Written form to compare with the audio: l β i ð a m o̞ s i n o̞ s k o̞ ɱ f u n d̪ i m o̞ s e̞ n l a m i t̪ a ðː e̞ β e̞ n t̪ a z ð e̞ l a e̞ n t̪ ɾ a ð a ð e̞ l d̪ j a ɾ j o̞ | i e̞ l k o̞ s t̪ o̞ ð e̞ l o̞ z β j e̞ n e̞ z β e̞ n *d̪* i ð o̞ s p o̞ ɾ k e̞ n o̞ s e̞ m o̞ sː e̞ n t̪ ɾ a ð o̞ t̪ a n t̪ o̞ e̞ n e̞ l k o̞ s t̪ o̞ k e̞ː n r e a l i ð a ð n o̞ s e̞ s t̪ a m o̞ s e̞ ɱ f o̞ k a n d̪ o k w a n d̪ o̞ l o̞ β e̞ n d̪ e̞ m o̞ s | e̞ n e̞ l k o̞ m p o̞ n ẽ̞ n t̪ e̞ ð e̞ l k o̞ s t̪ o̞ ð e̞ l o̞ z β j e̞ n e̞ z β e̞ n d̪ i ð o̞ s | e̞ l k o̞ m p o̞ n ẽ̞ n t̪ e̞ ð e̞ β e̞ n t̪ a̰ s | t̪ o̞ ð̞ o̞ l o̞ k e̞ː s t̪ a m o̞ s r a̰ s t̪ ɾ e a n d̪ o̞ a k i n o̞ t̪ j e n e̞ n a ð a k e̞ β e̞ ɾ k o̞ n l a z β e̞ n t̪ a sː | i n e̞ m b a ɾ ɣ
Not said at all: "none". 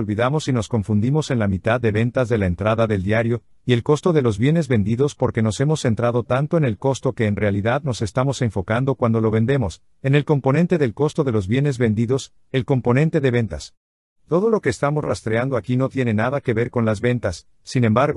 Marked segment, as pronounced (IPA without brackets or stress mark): d̪